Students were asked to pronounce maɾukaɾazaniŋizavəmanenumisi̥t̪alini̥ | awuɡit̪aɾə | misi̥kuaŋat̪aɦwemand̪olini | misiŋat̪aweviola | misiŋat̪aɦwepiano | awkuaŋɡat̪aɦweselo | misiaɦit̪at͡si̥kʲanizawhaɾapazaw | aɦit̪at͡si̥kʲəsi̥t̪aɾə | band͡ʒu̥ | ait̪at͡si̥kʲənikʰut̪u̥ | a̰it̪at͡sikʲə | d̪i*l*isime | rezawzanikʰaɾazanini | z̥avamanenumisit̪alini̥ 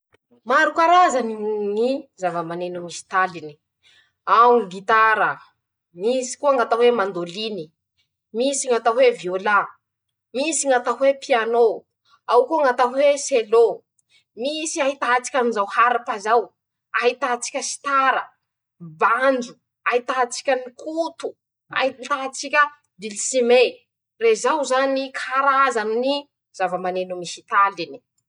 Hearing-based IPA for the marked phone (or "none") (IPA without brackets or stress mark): l